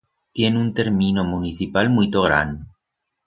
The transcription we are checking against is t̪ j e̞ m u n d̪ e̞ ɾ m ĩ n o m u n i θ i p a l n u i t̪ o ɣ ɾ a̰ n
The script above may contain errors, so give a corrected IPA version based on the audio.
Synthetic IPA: t̪ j e̞ n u n t̪ e̞ ɾ m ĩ n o m u n i θ i p a l m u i t̪ o ɣ ɾ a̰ n